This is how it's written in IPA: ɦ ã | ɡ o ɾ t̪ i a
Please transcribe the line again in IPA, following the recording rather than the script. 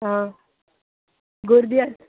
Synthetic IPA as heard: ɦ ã | ɡ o ɾ d̪ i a